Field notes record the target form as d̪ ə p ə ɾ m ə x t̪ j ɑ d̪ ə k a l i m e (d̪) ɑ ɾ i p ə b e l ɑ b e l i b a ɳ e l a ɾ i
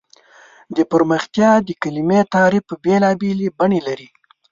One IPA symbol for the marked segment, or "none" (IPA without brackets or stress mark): t̪